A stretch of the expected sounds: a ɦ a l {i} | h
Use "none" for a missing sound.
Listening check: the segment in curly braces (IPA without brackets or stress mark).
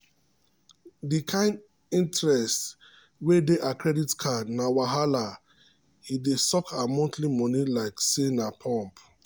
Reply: a